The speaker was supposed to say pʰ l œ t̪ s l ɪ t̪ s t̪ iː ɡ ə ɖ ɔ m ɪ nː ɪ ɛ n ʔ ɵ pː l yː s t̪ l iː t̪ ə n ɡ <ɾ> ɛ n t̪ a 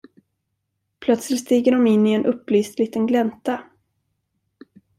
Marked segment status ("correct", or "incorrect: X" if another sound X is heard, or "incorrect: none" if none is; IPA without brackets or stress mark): incorrect: l